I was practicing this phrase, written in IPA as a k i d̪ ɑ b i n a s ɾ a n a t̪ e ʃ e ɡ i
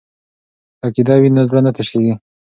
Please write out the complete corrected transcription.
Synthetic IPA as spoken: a k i d̪ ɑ w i n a z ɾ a n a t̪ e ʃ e ɡ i